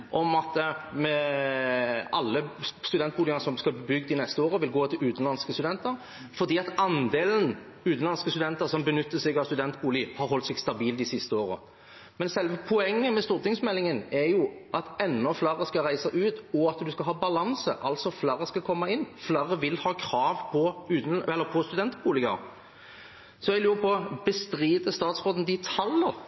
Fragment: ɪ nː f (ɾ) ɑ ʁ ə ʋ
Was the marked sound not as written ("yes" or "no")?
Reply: yes